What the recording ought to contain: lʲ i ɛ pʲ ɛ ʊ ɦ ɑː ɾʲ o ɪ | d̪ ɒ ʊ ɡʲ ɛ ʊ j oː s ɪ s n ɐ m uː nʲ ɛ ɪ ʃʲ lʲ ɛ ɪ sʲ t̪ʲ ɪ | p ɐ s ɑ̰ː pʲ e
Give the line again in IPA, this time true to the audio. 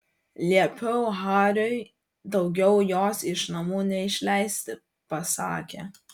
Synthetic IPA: lʲ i ɛ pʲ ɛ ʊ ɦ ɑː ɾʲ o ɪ | d̪ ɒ ʊ ɡʲ ɛ ʊ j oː s ɪ ʃ n ɐ m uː nʲ ɛ ɪ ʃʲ lʲ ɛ ɪ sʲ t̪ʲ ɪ | p ɐ s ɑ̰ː kʲ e